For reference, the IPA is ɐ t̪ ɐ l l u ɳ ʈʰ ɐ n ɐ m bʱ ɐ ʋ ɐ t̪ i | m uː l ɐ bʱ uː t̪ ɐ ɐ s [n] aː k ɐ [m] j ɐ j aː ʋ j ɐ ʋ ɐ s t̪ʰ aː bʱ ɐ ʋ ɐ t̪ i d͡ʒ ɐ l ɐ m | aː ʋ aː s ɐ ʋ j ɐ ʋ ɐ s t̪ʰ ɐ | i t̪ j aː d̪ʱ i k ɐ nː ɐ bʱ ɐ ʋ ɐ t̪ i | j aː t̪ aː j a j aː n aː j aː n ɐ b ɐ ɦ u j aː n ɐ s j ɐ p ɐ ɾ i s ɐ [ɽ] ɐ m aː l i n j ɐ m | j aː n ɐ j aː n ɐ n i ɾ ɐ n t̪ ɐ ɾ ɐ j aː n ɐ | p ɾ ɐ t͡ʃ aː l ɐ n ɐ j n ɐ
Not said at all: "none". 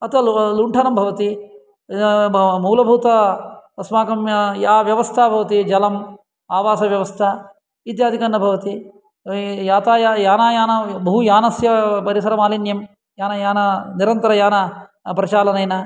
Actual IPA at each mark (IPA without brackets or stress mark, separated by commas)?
m, m, ɾ